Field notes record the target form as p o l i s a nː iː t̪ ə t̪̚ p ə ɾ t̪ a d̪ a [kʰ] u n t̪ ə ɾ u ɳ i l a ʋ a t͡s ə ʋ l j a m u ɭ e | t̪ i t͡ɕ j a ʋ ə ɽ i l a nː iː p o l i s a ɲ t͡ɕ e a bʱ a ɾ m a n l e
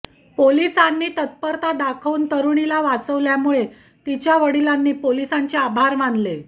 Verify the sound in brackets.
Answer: correct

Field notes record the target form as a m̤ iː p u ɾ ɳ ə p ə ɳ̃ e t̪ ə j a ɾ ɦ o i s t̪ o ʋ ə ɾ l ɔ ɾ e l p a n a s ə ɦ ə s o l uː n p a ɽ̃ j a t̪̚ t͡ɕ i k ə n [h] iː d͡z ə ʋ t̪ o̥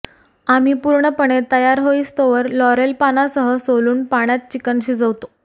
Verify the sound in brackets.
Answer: incorrect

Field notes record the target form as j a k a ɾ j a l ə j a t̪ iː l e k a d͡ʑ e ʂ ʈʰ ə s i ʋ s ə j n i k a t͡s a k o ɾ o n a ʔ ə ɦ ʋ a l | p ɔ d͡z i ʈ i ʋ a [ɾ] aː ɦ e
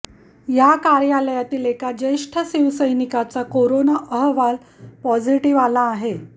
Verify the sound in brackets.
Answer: incorrect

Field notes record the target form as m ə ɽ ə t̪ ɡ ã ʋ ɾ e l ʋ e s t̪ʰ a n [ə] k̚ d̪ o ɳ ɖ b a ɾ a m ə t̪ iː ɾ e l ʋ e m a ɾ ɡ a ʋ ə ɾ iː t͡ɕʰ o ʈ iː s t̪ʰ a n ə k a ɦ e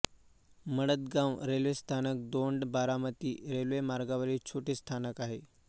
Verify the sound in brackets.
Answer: correct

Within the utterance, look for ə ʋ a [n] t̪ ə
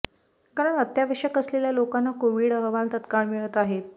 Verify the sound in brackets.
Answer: correct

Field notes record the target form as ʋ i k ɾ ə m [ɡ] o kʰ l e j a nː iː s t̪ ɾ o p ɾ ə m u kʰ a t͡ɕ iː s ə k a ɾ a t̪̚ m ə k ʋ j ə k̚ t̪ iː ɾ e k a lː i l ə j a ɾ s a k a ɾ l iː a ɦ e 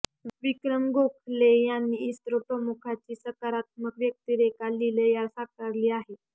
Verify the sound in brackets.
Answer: correct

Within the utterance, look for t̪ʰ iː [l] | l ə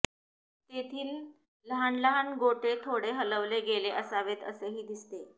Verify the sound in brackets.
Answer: correct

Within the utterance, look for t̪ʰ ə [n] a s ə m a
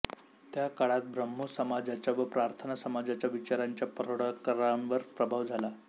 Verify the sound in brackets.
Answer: correct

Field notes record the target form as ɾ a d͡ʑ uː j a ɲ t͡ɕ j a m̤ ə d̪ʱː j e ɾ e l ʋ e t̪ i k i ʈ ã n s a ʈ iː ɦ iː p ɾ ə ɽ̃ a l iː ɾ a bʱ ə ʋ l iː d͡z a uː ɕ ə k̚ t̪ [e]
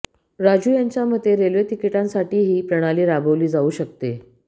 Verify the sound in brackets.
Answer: correct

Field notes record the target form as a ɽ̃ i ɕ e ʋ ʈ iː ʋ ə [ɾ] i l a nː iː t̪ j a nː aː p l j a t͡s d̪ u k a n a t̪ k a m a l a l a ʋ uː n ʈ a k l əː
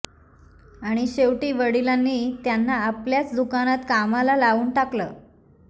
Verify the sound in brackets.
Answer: incorrect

